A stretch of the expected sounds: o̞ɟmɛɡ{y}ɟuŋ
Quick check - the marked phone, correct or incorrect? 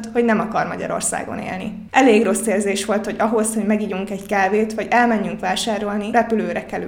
incorrect